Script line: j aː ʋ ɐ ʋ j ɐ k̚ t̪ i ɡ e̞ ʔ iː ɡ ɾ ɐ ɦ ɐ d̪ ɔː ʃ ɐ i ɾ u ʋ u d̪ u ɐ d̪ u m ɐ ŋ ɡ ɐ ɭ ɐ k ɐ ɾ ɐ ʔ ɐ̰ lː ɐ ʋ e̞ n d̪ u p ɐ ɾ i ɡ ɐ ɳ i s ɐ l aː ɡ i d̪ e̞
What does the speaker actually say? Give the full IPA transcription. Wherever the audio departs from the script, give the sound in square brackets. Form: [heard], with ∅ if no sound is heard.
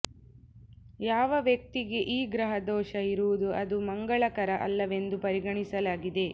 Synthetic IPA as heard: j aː ʋ ɐ ʋ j ɐ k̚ t̪ i ɡ e̞ ʔ iː ɡ ɾ ɐ ɦ ɐ d̪ ɔː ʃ ɐ i ɾ u ʋ u d̪ u ɐ d̪ u m ɐ ŋ ɡ ɐ ɭ ɐ k ɐ ɾ ɐ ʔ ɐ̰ lː ɐ ʋ e̞ n d̪ u p ɐ ɾ i ɡ ɐ ɳ i s ɐ l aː ɡ i d̪ e̞